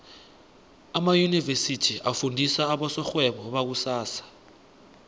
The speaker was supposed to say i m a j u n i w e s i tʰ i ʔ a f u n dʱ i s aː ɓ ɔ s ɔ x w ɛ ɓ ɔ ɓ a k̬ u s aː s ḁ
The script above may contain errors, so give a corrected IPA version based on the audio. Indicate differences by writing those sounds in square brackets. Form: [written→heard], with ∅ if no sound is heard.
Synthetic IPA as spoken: [i→a] m a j u n i [w→v] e s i tʰ i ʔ a f u n dʱ i s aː ɓ ɔ s ɔ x w ɛ ɓ ɔ ɓ a k̬ u s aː s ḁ